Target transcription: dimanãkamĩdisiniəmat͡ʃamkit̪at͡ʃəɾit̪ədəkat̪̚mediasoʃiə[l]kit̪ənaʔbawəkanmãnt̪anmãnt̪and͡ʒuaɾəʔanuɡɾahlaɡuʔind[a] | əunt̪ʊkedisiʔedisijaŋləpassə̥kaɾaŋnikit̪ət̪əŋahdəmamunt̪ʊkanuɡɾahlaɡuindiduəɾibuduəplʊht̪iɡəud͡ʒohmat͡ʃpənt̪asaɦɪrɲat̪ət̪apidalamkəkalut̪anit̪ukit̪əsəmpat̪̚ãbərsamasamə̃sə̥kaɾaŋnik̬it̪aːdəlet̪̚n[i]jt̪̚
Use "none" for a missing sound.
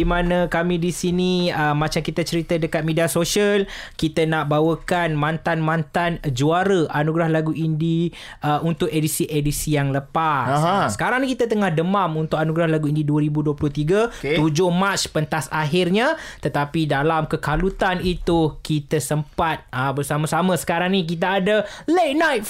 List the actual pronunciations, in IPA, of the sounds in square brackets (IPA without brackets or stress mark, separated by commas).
l, i, a